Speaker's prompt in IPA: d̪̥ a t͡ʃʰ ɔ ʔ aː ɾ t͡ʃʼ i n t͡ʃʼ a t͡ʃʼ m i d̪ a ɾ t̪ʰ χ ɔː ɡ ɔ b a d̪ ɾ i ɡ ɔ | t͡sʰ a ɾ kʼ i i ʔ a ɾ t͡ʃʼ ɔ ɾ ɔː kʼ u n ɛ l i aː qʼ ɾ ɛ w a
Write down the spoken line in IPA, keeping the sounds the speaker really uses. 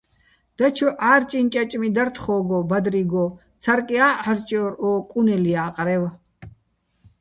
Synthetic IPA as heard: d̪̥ a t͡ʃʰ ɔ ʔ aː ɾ t͡ʃʼ i n t͡ʃʼ a t͡ʃʼ m i d̪ a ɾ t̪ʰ χ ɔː ɡ ɔ b a d̪ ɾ i ɡ ɔ | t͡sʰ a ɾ kʼ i a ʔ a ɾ t͡ʃʼ ɔ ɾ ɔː kʼ u n ɛ l i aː qʼ ɾ ɛ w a